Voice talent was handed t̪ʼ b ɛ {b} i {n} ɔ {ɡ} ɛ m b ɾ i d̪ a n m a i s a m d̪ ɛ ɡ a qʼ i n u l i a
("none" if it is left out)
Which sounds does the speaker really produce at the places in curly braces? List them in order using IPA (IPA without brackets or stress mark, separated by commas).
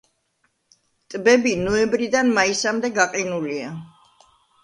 b, n, none